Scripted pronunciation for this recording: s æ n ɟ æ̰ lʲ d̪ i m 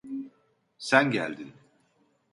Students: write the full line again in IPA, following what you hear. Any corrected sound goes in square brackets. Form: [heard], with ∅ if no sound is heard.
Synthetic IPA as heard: s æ n ɟ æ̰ lʲ d̪ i [n]